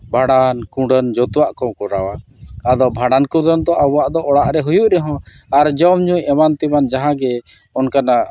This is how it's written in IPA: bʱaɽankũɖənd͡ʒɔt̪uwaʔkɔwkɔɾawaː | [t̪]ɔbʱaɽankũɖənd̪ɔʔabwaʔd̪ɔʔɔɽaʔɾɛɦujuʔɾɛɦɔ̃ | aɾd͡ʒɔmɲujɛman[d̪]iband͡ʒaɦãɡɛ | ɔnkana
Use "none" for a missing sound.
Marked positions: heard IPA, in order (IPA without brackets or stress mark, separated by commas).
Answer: d̪, t̪